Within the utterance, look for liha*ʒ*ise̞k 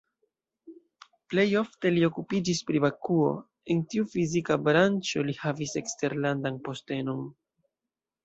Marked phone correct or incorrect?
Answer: incorrect: v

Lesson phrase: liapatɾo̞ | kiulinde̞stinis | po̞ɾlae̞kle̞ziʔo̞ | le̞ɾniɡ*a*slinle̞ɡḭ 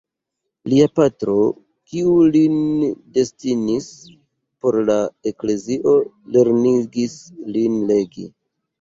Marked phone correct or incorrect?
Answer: incorrect: i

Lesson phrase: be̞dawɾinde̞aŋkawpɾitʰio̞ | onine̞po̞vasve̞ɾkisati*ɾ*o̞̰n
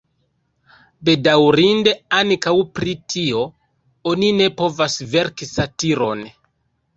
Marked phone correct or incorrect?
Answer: correct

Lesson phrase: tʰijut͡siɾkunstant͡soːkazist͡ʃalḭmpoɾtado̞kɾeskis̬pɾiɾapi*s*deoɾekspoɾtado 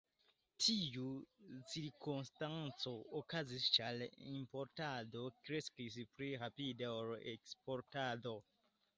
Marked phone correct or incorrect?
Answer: incorrect: none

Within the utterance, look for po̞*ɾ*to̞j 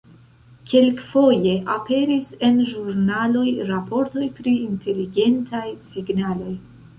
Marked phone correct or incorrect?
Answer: correct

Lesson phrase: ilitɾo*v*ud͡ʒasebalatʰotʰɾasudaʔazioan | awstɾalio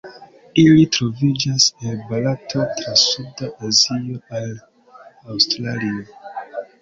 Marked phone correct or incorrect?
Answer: correct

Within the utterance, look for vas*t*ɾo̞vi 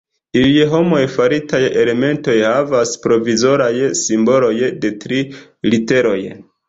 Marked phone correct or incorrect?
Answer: incorrect: p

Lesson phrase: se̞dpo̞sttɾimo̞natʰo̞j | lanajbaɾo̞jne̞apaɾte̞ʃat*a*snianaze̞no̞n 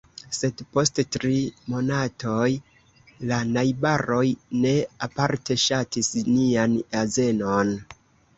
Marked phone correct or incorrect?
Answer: incorrect: i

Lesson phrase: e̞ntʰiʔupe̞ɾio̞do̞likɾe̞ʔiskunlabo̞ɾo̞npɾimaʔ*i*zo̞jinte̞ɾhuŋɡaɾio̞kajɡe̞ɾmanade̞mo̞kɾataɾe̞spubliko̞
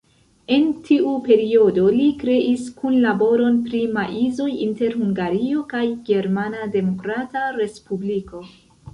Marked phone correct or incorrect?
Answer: correct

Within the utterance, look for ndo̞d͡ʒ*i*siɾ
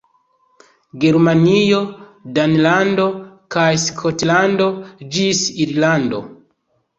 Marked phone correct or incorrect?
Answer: correct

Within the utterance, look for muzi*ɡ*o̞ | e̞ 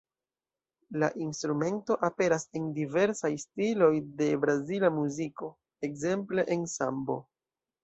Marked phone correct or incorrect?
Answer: incorrect: k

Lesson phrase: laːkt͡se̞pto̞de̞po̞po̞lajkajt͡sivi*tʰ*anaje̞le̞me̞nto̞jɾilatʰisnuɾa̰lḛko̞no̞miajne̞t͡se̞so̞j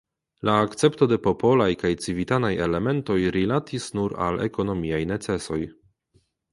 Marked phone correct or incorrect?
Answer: incorrect: t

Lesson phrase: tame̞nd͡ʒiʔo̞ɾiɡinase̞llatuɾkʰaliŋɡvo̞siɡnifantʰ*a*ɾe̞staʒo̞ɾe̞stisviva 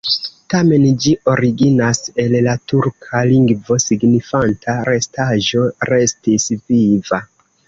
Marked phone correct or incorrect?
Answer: correct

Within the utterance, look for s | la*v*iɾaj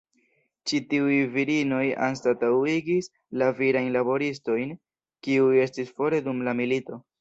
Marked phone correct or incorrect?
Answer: correct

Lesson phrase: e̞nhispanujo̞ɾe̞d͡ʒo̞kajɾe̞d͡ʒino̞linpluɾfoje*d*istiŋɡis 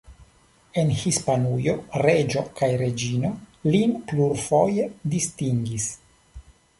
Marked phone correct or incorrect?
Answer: correct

